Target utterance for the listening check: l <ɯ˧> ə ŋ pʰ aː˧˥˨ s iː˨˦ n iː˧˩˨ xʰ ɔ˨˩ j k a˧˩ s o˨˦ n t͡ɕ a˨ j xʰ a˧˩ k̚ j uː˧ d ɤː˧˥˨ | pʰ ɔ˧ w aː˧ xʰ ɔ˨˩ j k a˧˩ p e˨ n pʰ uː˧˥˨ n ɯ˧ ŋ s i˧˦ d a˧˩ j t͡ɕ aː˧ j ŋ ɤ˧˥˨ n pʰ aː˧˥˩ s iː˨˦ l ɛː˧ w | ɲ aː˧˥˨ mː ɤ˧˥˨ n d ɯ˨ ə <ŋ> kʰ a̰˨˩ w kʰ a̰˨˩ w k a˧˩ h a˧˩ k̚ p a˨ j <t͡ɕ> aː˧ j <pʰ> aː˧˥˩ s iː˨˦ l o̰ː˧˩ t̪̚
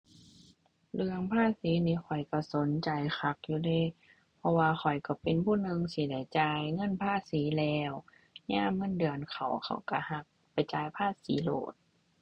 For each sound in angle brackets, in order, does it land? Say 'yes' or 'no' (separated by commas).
yes, no, yes, yes